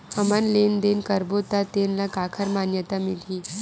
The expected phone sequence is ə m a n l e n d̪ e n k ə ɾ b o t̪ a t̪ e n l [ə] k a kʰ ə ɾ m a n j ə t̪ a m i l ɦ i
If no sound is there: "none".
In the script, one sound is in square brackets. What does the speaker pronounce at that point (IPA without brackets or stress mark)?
a